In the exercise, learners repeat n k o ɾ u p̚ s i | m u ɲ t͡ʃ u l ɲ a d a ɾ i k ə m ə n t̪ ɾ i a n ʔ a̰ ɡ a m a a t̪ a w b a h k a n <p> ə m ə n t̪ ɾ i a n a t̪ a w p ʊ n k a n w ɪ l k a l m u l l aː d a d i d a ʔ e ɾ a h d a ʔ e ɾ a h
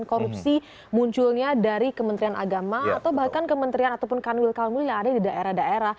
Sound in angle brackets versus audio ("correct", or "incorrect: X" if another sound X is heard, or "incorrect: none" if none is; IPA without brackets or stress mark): incorrect: k